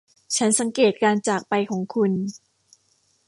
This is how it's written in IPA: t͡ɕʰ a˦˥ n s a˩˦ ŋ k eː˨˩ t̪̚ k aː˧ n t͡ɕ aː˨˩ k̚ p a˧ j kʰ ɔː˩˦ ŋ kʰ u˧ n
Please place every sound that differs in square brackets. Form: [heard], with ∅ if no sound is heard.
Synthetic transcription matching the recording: t͡ɕʰ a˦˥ n s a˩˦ ŋ k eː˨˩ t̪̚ k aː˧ n t͡ɕ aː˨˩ k̚ p a˧ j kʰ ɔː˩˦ ŋ kʰ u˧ n